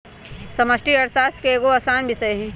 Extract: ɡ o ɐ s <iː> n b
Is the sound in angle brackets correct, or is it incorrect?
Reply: incorrect